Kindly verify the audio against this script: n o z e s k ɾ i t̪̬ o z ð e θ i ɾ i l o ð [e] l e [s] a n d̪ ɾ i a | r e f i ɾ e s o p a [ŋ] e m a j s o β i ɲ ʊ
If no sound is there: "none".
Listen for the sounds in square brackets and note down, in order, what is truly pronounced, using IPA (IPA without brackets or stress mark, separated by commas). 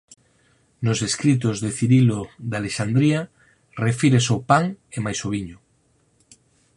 a, ʃ, ŋ